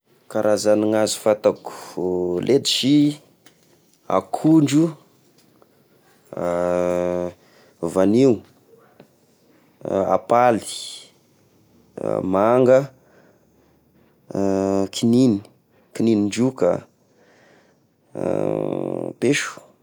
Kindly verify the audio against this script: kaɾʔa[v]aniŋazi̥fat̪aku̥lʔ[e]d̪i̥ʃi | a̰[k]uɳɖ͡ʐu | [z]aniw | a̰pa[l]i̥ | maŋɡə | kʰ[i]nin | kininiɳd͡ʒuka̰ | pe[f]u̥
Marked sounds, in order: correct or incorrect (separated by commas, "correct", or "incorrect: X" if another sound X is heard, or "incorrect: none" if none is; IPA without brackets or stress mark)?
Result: incorrect: z, correct, incorrect: kʰ, incorrect: v, correct, correct, incorrect: ʃ